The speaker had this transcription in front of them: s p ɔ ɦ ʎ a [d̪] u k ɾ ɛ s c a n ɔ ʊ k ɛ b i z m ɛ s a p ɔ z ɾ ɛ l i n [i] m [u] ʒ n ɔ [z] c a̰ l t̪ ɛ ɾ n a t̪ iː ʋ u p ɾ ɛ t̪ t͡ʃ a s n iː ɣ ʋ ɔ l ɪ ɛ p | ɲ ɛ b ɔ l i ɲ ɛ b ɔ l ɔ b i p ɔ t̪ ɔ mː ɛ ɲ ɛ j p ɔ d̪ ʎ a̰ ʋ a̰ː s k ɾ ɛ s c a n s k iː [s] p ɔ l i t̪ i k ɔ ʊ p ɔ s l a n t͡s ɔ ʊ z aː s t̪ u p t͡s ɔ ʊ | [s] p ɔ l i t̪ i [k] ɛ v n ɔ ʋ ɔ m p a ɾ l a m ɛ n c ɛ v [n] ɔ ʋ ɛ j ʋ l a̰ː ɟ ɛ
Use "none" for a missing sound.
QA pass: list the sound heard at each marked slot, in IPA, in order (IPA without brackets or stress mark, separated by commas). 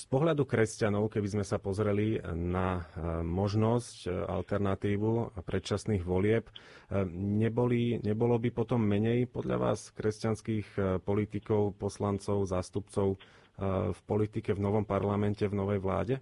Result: d̪, a, ɔ, s, x, f, k, n